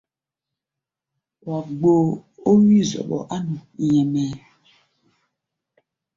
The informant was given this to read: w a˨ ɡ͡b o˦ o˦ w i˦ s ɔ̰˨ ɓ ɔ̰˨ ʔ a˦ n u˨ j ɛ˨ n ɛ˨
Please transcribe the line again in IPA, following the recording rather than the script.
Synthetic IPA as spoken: w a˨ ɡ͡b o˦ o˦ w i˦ z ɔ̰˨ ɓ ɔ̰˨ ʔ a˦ n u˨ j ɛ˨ m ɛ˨